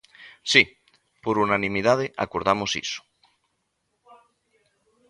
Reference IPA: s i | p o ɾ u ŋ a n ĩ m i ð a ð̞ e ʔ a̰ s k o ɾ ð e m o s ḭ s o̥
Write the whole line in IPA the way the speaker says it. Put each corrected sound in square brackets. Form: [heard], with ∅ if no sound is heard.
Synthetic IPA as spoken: s i | p o ɾ u [n] a n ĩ m i ð a ð̞ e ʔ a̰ [∅] k o ɾ ð [a] m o s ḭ s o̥